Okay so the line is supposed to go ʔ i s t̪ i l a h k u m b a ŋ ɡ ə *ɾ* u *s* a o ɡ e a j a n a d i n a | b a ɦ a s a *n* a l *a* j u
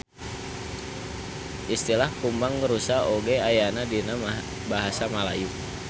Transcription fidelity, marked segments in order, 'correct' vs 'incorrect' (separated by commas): correct, correct, incorrect, correct